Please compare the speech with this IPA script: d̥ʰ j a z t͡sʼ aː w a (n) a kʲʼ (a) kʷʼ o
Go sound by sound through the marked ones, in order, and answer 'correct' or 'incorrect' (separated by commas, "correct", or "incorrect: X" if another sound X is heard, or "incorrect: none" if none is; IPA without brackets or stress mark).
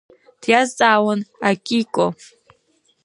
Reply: correct, incorrect: i